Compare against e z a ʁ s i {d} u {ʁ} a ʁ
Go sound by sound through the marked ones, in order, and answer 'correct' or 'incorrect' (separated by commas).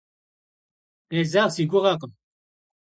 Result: incorrect, correct